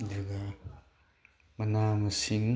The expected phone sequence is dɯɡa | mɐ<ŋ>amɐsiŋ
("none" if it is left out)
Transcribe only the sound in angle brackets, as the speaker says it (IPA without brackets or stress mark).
n